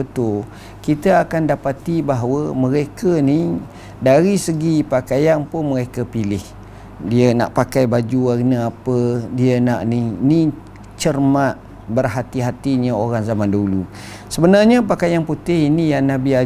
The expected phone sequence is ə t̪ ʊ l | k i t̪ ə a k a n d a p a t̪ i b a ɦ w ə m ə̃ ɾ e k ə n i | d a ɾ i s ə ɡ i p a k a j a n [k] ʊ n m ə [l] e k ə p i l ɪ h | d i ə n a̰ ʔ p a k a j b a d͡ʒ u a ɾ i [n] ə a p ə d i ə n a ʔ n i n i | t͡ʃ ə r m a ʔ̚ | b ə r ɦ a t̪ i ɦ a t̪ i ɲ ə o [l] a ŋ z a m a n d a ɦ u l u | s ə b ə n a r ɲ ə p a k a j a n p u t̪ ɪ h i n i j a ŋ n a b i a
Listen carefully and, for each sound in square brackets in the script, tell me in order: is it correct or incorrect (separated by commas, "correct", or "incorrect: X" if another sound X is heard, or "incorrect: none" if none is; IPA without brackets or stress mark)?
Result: incorrect: p, incorrect: ɾ, correct, incorrect: ɾ